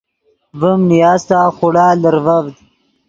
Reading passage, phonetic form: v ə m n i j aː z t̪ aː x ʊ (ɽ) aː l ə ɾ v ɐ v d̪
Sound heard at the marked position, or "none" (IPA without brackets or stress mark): ɽ